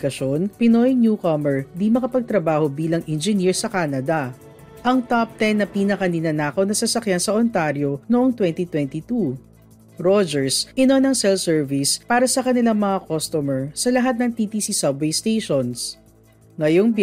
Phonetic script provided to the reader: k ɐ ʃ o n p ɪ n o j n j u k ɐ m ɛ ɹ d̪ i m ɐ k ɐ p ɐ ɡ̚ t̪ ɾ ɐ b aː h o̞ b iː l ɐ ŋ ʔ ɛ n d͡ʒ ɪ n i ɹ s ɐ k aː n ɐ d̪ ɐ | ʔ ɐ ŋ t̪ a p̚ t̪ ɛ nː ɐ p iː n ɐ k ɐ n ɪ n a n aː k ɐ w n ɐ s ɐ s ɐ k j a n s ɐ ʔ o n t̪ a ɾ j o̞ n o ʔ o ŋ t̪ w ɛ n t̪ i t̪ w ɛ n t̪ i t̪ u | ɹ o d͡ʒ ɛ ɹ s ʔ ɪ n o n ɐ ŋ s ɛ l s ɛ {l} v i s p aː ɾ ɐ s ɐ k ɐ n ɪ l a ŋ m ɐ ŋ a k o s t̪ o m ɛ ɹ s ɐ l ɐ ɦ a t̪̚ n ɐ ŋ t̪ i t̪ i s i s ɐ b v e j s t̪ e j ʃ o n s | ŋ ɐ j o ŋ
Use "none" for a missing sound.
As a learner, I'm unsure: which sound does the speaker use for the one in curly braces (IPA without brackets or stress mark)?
ɹ